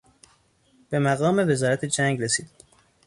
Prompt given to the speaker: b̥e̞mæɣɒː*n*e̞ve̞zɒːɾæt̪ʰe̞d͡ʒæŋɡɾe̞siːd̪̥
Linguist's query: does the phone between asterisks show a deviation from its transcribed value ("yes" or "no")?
yes